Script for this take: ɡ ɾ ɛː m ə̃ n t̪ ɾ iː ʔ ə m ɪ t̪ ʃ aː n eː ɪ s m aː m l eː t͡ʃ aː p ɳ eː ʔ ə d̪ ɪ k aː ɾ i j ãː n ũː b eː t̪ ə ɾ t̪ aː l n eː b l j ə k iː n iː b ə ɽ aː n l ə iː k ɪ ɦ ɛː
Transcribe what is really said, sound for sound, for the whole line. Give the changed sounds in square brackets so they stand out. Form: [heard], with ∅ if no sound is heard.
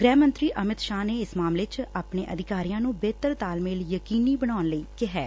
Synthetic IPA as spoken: ɡ ɾ ɛː m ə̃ n t̪ ɾ iː ʔ ə m ɪ t̪ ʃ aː n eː ɪ s m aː m l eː t͡ʃ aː p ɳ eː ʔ ə d̪ ɪ k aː ɾ i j ãː n ũː b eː t̪ ə ɾ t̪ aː l [m] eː [∅] l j ə k iː n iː b ə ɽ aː n l ə iː k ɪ ɦ ɛː